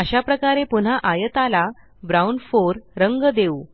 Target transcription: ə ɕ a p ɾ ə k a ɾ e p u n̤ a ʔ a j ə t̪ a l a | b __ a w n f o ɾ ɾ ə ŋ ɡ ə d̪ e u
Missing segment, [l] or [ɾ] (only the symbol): ɾ